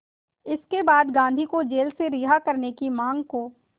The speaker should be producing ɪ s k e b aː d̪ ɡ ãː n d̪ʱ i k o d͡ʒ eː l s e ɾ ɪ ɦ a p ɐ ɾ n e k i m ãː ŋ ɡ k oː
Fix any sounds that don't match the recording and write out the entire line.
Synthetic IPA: ɪ s k e b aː d̪ ɡ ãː n d̪ʱ i k o d͡ʒ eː l s e ɾ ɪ ɦ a k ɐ ɾ n e k i m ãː ŋ ɡ k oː